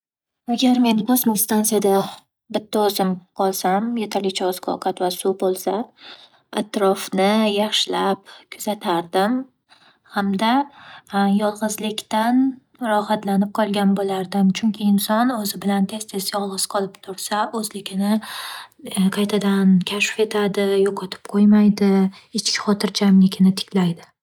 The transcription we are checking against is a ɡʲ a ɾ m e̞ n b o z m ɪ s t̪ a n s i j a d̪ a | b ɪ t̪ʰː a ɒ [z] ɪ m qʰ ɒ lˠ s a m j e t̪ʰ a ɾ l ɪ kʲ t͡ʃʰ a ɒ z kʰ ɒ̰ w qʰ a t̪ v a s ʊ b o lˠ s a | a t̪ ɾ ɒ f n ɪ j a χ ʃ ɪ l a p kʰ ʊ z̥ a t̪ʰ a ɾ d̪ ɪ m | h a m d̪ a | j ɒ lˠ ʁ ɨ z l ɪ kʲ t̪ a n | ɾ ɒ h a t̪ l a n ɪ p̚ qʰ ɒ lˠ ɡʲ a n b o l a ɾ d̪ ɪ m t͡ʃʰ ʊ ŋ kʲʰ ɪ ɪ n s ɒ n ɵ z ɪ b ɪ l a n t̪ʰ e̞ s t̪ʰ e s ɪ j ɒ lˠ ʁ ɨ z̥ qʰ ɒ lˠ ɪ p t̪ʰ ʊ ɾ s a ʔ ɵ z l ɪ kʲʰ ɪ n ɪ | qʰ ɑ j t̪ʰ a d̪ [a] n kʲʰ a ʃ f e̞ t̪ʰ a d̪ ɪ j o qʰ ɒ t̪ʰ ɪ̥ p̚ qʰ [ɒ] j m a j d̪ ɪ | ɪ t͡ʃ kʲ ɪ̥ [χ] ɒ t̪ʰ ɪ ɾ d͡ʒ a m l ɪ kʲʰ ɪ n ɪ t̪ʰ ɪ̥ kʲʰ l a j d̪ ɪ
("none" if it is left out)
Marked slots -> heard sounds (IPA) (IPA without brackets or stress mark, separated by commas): z, a, o, χ